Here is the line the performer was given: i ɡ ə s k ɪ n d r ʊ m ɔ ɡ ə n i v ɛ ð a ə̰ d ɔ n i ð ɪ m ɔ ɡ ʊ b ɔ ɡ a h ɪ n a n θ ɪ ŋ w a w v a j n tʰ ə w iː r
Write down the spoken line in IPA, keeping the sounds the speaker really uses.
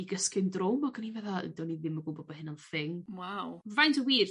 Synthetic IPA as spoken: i ɡ ə s k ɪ n d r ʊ m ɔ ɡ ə n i v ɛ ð a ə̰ d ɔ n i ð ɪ m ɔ ɡ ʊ b ɔ b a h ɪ n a n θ ɪ ŋ w a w v a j n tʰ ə w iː r